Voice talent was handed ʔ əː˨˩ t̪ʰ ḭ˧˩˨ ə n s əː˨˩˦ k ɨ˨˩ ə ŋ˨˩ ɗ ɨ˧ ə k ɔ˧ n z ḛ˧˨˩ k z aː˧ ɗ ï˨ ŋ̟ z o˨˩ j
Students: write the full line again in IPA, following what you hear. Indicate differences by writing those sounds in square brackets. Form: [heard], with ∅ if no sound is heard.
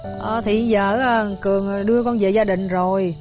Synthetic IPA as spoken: ʔ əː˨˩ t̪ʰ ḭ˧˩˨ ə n [z] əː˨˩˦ k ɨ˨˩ ə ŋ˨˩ ɗ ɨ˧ ə k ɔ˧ n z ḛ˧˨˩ [∅] z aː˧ ɗ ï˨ ŋ̟ z o˨˩ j